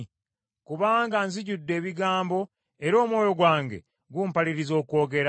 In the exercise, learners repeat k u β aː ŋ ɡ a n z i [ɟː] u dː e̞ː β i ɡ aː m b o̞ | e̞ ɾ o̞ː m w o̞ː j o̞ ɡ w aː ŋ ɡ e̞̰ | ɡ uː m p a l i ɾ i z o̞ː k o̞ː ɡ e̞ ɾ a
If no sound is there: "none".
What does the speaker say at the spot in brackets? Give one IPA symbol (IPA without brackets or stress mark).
ɟ